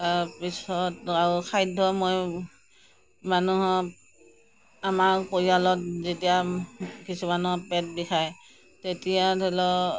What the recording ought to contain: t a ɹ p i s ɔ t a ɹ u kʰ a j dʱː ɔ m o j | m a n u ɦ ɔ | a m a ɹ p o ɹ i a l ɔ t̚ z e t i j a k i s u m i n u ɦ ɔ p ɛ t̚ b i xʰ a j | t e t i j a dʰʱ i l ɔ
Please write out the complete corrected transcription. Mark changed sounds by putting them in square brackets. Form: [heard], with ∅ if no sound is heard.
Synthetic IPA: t a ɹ p i s ɔ t a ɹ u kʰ a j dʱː ɔ m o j | m a n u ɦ ɔ | a m a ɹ p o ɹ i a l ɔ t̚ z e t i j a k i s u m [a] n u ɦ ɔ p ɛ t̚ b i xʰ a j | t e t i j a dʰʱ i l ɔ